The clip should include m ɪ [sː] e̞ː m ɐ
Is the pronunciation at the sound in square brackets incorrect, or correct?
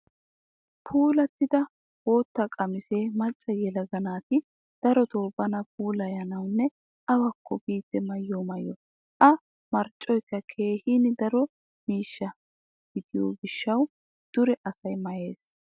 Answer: incorrect